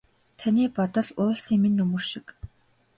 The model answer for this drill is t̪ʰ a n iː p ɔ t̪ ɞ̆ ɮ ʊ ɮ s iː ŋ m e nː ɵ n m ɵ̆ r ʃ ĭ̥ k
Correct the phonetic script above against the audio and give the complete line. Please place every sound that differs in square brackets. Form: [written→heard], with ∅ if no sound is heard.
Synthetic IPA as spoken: t̪ʰ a n iː p ɔ t̪ ɞ̆ ɮ [ʊ→ʊː] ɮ s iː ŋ m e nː ɵ [n→∅] m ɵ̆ r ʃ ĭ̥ k